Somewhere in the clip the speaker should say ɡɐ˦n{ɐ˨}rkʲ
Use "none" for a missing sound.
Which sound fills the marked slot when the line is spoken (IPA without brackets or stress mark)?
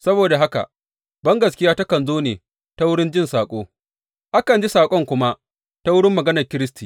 ɐ˨